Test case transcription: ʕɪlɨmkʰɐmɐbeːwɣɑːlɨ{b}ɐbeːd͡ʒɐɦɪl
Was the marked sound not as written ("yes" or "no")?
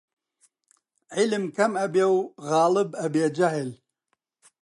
no